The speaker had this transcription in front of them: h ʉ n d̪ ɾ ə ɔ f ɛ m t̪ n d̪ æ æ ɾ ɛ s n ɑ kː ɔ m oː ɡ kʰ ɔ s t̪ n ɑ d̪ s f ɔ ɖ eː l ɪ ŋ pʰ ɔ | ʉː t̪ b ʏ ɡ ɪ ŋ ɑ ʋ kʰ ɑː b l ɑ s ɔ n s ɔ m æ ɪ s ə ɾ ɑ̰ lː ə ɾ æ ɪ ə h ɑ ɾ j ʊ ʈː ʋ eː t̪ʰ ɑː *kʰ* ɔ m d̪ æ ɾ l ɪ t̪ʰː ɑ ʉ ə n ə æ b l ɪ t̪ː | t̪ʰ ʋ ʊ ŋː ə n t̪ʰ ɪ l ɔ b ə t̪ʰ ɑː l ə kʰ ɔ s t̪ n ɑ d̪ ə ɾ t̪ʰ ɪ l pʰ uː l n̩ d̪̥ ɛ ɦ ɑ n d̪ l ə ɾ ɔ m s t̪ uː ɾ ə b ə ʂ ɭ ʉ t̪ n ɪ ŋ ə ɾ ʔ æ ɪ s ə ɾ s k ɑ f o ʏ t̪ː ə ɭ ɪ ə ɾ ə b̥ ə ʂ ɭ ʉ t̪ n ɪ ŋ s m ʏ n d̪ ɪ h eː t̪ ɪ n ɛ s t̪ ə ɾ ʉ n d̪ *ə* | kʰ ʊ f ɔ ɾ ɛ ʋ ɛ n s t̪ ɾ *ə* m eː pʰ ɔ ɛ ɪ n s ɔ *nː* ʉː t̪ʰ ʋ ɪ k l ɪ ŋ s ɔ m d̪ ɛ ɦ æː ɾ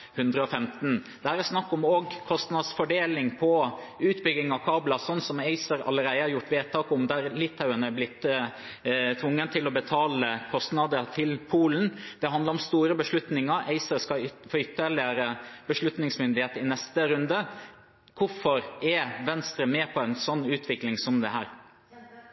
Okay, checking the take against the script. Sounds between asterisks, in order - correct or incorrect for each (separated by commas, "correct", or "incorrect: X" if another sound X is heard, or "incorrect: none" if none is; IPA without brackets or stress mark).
incorrect: k, correct, correct, correct